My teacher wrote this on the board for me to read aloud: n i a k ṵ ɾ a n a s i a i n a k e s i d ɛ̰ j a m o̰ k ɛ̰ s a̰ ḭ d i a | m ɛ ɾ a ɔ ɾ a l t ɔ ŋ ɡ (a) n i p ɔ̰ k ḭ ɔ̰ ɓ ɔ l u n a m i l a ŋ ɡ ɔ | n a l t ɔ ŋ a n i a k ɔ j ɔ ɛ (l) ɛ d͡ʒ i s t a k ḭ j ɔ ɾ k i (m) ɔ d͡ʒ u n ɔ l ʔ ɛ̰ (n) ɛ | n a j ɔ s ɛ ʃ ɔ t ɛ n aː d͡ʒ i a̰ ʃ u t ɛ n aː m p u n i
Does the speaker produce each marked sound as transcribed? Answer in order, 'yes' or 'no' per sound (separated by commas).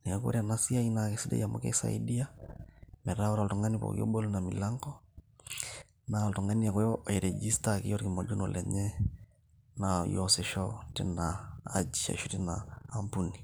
yes, no, yes, no